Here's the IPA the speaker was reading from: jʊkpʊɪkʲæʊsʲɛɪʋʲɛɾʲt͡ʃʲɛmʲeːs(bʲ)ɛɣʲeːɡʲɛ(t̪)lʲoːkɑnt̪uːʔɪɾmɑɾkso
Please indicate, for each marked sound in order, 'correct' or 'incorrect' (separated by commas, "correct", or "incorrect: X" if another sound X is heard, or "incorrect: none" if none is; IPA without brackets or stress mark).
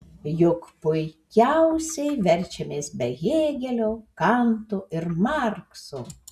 correct, incorrect: none